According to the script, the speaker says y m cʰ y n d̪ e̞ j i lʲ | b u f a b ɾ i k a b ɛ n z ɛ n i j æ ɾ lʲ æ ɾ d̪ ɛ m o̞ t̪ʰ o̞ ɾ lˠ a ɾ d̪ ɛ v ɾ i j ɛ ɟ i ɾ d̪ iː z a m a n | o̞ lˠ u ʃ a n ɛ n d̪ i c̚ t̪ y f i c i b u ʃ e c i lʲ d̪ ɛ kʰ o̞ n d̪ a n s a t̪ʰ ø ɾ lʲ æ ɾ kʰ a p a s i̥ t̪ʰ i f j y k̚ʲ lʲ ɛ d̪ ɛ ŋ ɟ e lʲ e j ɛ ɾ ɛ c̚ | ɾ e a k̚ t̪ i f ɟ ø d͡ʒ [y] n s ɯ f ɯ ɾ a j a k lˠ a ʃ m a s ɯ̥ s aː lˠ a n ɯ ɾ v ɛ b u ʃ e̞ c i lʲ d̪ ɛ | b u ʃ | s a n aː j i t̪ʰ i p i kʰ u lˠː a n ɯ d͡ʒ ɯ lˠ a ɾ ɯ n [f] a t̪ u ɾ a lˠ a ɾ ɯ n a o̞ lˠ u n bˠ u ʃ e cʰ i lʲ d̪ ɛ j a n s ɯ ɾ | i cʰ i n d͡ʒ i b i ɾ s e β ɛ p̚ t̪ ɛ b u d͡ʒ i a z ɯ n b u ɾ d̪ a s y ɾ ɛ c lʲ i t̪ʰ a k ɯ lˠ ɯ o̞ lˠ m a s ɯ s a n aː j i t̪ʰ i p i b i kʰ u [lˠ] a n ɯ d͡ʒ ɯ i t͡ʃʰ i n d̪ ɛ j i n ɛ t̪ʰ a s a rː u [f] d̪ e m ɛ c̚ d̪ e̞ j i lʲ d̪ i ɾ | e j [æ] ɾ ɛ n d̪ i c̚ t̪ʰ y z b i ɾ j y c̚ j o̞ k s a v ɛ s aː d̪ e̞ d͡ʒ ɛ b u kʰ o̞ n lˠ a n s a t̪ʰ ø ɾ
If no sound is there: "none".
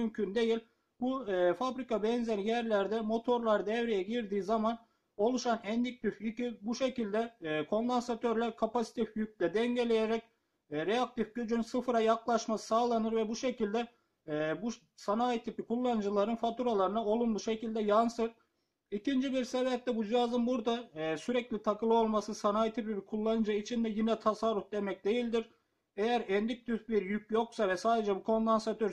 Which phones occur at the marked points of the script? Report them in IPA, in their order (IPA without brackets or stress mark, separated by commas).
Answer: y, f, lˠː, f, æ